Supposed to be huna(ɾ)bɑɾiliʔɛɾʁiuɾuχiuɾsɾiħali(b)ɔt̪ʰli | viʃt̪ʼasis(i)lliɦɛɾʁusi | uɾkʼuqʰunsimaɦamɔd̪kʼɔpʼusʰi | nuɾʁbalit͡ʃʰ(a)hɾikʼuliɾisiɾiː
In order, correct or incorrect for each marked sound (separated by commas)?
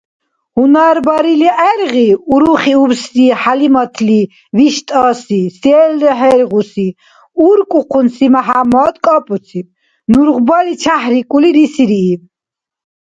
correct, incorrect, incorrect, correct